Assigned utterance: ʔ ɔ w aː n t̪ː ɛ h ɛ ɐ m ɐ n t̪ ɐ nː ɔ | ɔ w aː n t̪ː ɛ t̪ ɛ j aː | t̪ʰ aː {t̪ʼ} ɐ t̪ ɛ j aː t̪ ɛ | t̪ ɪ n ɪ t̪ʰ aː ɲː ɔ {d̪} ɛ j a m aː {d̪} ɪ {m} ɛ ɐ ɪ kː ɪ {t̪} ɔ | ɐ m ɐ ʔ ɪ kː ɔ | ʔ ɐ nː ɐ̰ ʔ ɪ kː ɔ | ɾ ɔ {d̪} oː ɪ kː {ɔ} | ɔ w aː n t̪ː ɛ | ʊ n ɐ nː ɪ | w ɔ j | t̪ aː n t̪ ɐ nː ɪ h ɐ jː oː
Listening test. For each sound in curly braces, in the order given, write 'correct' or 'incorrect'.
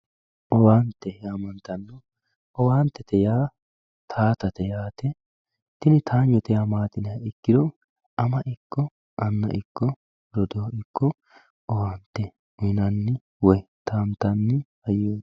incorrect: t̪, incorrect: t̪, incorrect: t̪, incorrect: n, incorrect: d̪, correct, correct

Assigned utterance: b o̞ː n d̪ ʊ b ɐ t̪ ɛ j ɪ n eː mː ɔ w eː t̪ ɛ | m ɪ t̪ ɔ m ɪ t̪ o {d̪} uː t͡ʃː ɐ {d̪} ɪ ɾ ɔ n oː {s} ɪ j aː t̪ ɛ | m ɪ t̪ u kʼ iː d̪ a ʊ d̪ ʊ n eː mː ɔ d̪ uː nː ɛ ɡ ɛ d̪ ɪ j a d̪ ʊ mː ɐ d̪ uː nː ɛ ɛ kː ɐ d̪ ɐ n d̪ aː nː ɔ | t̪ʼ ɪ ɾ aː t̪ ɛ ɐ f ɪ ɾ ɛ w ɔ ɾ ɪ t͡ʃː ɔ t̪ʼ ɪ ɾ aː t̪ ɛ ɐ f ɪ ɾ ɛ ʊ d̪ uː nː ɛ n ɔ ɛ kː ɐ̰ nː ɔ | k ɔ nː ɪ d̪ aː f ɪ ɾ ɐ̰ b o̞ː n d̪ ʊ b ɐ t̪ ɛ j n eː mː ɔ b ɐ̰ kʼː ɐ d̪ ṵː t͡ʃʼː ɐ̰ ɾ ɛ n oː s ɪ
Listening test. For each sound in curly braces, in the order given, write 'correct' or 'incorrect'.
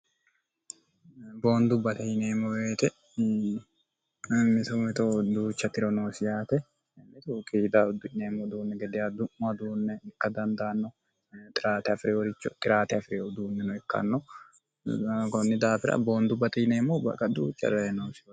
correct, incorrect: t̪, correct

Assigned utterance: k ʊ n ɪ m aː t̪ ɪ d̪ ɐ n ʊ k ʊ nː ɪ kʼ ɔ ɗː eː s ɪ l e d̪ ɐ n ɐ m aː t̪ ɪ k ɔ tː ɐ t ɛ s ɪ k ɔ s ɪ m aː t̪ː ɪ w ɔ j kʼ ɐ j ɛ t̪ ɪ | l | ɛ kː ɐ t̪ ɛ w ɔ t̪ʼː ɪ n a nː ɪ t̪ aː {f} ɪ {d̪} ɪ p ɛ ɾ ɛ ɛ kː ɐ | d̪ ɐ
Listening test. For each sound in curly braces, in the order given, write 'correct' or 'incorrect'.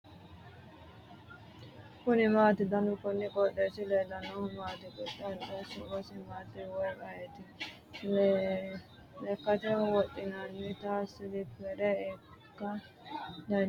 incorrect: s, correct

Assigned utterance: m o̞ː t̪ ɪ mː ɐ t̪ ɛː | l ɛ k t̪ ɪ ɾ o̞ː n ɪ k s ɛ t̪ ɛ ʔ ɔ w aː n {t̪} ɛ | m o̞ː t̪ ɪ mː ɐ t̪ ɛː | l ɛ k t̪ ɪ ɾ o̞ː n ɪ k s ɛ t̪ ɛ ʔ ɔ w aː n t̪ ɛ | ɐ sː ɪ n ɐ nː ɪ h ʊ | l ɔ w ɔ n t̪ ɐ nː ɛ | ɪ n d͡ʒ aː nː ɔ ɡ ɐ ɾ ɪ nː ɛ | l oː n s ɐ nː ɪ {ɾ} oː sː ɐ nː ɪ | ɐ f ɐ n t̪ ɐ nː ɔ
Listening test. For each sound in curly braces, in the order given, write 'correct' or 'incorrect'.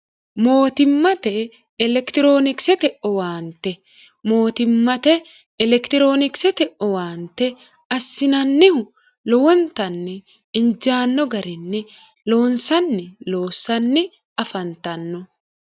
correct, incorrect: l

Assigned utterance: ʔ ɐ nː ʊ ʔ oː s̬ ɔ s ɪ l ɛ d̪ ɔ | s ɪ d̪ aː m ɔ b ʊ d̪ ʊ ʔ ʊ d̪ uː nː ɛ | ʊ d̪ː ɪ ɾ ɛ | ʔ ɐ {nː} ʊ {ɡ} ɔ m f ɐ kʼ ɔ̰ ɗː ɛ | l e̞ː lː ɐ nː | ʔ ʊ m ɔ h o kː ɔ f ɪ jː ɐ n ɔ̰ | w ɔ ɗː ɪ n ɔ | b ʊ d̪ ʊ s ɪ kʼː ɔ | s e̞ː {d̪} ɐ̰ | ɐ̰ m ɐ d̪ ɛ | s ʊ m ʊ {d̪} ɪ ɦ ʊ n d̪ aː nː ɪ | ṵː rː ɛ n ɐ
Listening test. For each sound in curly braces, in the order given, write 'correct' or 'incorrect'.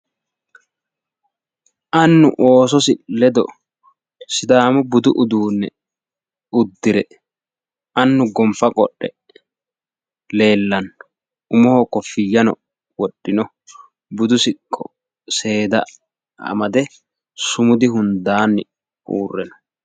correct, correct, correct, correct

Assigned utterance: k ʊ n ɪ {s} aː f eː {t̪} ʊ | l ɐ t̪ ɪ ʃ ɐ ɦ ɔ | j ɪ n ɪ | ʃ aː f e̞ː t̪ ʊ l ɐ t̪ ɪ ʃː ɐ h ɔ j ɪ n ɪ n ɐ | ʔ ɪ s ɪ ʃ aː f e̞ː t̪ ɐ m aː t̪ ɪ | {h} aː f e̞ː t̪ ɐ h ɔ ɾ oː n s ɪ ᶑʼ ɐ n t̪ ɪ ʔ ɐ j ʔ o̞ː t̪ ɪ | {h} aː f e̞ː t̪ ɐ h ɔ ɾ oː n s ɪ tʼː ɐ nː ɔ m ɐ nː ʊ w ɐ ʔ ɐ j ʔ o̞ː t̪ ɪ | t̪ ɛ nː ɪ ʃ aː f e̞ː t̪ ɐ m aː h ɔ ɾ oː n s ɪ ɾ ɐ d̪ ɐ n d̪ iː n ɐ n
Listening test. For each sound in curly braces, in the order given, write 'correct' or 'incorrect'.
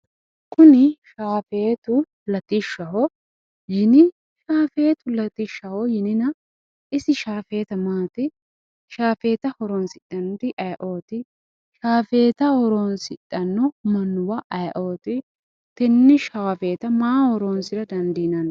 incorrect: ʃ, correct, incorrect: ʃ, incorrect: ʃ

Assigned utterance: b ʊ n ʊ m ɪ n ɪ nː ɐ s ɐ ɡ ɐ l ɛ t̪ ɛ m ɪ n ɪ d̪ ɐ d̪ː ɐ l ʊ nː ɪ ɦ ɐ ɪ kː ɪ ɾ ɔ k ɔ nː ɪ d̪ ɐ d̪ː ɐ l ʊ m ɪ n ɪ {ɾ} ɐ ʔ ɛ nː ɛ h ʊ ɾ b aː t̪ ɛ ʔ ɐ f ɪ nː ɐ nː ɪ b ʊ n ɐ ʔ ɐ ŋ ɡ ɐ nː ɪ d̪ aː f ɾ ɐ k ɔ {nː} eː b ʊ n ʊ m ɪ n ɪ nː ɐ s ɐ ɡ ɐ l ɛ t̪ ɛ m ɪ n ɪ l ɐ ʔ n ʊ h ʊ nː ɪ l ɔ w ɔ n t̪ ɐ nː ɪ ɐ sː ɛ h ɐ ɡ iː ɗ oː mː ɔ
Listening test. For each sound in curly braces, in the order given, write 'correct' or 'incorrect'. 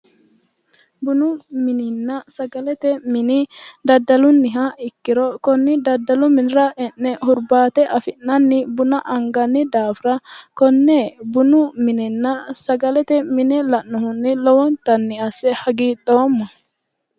correct, correct

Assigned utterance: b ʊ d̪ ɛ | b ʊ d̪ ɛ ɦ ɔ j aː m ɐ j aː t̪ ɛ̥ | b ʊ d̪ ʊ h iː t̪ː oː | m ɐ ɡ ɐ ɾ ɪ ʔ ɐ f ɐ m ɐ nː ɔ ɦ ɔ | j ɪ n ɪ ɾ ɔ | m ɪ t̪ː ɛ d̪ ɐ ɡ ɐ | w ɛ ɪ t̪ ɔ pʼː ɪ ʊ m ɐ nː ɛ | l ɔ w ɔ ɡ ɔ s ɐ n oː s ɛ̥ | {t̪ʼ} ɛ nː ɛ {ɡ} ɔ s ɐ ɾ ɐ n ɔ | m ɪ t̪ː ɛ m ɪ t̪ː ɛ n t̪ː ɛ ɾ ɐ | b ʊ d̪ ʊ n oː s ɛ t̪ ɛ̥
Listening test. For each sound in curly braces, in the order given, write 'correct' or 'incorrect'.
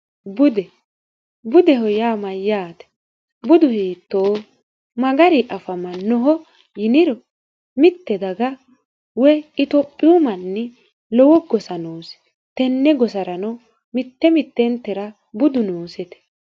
incorrect: t̪, correct

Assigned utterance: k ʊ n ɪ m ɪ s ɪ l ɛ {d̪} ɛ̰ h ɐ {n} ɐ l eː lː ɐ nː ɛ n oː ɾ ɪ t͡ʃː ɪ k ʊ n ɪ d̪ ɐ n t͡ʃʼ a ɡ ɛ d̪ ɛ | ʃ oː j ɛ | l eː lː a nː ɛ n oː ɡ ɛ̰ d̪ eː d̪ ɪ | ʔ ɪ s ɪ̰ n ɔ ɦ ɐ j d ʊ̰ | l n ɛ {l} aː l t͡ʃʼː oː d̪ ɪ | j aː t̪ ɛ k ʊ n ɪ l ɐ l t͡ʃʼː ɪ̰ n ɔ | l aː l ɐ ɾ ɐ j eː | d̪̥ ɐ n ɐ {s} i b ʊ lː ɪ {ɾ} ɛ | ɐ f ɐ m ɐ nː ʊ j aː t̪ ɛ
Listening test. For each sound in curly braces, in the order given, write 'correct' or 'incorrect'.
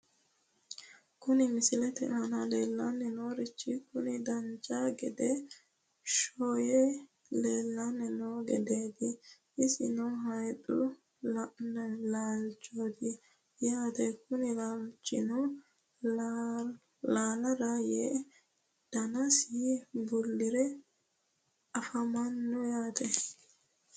incorrect: t̪, correct, correct, correct, correct

